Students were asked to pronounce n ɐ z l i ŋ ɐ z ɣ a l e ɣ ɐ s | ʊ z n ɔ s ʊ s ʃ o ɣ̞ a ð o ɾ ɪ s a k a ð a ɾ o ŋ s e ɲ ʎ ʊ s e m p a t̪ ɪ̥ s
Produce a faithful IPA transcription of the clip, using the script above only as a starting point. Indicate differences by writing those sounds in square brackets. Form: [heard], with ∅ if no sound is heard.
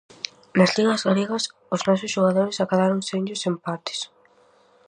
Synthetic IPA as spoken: n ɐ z l i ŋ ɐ z ɣ a l e ɣ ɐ s | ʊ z n ɔ s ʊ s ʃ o ɣ̞ a ð o ɾ ɪ s a k a ð a ɾ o ŋ s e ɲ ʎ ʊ s e m p a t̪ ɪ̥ s